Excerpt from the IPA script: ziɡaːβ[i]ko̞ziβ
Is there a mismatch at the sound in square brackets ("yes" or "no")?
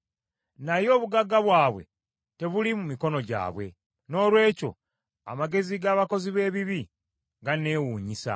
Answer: yes